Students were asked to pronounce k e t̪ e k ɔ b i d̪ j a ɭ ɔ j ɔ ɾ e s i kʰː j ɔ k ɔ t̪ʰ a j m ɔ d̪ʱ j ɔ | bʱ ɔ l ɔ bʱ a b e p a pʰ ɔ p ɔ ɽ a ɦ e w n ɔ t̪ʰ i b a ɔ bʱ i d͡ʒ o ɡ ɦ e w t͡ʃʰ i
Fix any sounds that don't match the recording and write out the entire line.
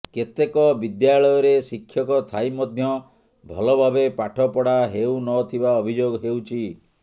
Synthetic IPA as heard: k e t̪ e k ɔ b i d̪ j a ɭ ɔ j ɔ ɾ e s i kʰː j ɔ k ɔ t̪ʰ a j m ɔ d̪ʱ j ɔ | bʱ ɔ l ɔ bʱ a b e p a ʈʰ ɔ p ɔ ɽ a ɦ e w n ɔ t̪ʰ i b a ɔ bʱ i d͡ʒ o ɡ ɦ e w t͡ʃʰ i